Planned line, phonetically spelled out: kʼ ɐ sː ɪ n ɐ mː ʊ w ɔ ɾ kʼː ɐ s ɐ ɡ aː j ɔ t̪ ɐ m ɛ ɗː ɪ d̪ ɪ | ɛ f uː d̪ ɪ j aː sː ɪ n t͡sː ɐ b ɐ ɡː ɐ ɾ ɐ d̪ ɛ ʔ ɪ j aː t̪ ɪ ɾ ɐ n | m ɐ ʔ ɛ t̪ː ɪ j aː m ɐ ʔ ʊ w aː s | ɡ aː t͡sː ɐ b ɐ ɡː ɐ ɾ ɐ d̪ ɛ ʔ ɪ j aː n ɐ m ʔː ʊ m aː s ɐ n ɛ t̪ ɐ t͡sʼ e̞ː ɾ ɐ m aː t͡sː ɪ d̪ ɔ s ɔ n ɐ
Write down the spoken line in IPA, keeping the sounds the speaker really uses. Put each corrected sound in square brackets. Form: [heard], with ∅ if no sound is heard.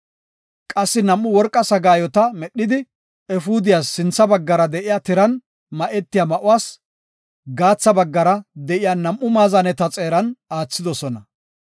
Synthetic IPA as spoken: kʼ ɐ sː ɪ n ɐ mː ʊ w ɔ ɾ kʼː ɐ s ɐ ɡ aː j ɔ t̪ ɐ m ɛ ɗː ɪ d̪ ɪ | ɛ f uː d̪ ɪ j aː sː ɪ n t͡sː ɐ b ɐ ɡː ɐ ɾ ɐ d̪ ɛ ʔ ɪ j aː t̪ ɪ ɾ ɐ n | m ɐ ʔ ɛ t̪ː ɪ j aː m ɐ ʔ ʊ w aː s | ɡ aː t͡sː ɐ b ɐ ɡː ɐ ɾ ɐ d̪ ɛ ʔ ɪ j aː n ɐ m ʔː ʊ m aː [z] ɐ n ɛ t̪ ɐ t͡sʼ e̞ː ɾ ɐ [n] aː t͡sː ɪ d̪ ɔ s ɔ n ɐ